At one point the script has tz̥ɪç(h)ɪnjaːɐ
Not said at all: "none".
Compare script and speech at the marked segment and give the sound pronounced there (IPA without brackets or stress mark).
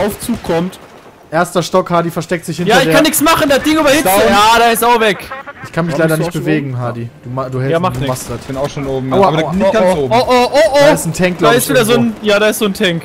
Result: h